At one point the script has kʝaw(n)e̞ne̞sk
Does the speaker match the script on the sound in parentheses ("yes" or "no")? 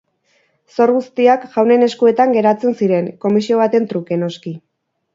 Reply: yes